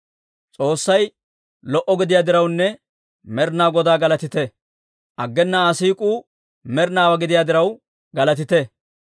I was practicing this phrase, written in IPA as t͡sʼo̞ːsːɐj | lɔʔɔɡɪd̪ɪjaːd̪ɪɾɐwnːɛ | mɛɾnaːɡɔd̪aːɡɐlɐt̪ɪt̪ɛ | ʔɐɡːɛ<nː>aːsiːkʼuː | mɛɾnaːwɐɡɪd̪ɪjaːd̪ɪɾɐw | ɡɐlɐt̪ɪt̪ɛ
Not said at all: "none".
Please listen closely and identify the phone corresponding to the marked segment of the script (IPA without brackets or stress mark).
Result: nː